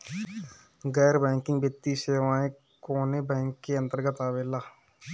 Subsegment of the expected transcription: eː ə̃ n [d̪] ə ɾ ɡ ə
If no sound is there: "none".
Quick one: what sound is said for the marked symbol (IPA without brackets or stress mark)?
t̪